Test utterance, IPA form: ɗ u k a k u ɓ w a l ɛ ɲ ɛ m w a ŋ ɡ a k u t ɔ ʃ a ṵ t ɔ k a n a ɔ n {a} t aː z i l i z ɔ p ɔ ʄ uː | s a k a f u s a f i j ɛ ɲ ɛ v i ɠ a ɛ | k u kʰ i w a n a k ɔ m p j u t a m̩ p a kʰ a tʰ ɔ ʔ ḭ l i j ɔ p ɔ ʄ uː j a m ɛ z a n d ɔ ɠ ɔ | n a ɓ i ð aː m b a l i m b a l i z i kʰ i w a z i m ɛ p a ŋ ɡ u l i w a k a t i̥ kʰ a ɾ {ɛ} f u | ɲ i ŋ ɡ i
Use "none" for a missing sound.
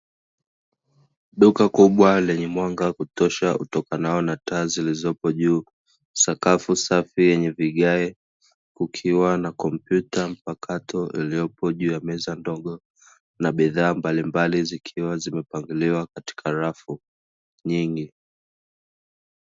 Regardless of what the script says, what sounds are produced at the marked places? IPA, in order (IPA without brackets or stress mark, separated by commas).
a, a